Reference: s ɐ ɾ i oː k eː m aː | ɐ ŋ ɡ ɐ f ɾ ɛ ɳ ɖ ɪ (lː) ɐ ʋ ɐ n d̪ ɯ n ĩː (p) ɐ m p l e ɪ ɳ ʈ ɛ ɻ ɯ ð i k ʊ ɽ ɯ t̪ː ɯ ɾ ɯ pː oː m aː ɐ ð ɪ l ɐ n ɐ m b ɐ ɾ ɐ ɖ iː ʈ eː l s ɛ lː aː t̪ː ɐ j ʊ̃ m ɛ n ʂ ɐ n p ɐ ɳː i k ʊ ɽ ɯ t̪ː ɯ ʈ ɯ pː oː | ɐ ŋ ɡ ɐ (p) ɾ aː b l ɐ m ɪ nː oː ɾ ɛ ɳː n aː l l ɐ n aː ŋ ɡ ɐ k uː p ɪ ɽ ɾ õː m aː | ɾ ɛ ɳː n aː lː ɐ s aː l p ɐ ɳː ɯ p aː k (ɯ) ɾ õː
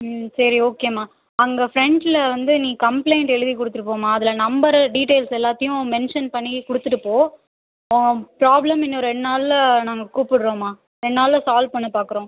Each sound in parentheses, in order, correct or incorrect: incorrect: l, incorrect: k, correct, correct

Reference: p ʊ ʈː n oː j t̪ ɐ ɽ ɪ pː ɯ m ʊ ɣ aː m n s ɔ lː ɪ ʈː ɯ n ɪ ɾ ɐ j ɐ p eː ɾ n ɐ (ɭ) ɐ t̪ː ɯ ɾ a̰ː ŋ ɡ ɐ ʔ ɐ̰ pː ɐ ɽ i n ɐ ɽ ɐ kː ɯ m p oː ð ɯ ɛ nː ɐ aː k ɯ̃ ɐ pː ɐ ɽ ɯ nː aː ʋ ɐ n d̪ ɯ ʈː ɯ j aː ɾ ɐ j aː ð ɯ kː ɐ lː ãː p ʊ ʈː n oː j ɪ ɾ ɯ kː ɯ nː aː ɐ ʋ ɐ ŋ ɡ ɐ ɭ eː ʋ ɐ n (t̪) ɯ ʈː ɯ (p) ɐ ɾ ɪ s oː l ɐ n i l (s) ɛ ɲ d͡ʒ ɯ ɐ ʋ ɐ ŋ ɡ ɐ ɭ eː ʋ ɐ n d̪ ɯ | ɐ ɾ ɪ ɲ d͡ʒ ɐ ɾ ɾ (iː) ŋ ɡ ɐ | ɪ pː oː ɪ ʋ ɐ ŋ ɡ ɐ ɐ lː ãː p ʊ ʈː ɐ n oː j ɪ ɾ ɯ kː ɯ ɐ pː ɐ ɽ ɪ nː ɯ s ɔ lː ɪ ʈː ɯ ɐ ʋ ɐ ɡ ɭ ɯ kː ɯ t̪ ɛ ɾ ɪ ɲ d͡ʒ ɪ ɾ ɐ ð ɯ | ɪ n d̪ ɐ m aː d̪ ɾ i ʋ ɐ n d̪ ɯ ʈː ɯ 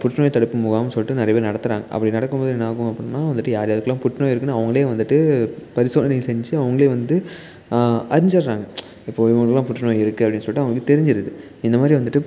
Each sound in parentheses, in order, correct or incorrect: incorrect: ɽ, incorrect: d̪, correct, correct, incorrect: aː

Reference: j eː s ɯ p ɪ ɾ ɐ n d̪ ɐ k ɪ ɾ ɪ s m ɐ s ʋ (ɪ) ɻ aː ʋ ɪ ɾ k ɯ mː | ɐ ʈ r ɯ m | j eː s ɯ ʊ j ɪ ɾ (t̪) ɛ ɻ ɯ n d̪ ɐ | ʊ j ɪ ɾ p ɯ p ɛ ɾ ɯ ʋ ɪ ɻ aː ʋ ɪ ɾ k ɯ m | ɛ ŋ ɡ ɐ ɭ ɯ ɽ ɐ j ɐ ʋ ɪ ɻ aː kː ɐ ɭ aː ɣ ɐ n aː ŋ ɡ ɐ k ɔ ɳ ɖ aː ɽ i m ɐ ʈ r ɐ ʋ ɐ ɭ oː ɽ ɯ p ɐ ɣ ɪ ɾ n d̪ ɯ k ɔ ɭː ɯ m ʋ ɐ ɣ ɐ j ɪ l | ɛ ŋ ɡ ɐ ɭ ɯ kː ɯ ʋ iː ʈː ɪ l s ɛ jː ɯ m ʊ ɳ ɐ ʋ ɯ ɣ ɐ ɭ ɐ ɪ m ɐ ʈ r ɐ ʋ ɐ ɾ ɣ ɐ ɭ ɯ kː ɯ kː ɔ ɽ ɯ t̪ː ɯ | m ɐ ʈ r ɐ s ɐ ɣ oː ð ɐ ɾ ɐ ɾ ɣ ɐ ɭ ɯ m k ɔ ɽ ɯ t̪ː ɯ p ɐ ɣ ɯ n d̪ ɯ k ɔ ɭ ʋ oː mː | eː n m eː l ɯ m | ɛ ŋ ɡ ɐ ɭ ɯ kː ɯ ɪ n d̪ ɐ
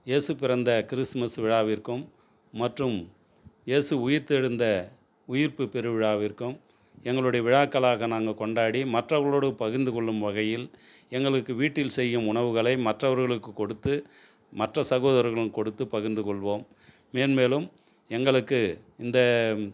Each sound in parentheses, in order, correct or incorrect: correct, correct

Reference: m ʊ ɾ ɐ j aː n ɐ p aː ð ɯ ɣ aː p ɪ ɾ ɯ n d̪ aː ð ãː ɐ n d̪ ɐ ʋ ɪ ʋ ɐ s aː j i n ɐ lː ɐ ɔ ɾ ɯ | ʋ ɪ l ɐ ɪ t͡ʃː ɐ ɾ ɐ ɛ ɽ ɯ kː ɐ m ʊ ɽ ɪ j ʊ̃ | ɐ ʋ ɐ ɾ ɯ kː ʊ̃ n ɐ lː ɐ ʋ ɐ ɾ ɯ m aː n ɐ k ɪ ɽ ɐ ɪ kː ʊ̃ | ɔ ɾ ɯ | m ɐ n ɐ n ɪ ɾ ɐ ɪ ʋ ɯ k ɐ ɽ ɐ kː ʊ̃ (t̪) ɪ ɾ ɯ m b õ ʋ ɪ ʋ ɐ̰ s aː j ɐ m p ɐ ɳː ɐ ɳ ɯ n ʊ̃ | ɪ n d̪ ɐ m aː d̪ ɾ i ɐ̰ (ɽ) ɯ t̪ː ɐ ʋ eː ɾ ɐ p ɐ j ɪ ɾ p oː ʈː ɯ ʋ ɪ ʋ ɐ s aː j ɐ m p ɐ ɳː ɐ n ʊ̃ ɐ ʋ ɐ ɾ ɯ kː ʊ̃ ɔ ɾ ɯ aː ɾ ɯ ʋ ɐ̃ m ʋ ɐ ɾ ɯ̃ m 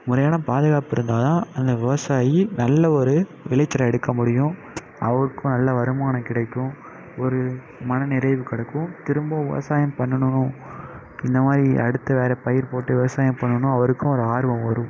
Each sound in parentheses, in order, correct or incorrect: correct, correct

